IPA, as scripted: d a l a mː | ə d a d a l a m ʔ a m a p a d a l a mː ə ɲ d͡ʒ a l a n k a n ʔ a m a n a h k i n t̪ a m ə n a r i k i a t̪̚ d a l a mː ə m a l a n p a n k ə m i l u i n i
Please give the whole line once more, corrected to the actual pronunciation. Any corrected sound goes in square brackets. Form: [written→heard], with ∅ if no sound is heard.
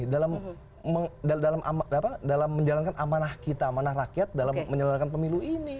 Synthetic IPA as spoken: d a l a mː | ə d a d a l a m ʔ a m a p a d a l a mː ə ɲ d͡ʒ a l a n k a n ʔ a m a n a h k i [n→∅] t̪ a m [ə→a] n a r [i→a] k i a t̪̚ d a l a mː ə [m→ɲ] a l a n [p→k] a n [k→p] ə m i l u i n i